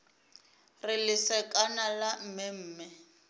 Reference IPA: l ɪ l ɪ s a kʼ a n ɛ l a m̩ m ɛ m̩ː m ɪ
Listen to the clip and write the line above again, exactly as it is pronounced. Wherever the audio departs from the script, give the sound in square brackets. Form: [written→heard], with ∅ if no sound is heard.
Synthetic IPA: [l→r] ɪ l ɪ s [a→ɛ] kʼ a n [ɛ→a] l a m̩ m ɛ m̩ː m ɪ